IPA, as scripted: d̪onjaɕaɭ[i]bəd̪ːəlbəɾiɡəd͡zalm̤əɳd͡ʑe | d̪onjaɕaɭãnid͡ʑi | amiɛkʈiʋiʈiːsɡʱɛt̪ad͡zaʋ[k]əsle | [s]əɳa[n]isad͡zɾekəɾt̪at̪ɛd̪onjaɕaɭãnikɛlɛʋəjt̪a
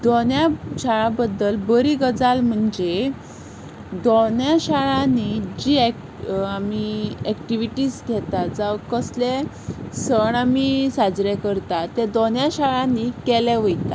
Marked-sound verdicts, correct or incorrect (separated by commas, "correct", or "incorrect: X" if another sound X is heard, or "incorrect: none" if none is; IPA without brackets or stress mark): incorrect: a, correct, correct, incorrect: m